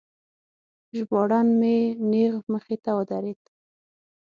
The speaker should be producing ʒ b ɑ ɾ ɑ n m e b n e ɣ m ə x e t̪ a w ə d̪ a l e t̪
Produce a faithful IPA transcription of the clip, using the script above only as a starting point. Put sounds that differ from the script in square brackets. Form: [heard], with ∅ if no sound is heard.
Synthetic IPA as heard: ʒ b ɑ [ɽ] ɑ n m e [∅] n e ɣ m ə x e t̪ a w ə d̪ a [ɾ] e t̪